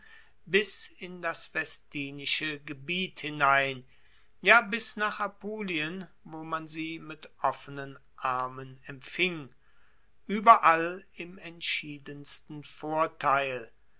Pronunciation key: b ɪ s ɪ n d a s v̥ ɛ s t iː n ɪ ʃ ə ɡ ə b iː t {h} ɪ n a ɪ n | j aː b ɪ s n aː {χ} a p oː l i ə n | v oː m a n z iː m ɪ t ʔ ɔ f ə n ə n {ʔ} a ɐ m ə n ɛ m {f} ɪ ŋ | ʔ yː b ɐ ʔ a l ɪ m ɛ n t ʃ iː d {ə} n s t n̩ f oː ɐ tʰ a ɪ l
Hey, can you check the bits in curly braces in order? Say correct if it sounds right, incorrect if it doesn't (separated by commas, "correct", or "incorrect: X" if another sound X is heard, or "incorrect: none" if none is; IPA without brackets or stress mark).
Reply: correct, correct, correct, correct, correct